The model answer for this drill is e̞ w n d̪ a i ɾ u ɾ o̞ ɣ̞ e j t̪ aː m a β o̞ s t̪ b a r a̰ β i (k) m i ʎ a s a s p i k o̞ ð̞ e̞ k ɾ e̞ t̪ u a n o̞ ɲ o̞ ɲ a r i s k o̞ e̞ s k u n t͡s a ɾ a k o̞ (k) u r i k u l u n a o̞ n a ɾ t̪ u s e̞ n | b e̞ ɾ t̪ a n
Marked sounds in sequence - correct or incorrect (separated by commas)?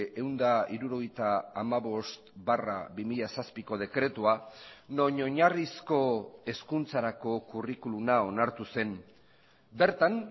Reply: incorrect, correct